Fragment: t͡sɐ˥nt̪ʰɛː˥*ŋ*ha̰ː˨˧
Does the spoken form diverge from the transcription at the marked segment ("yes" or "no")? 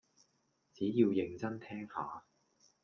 no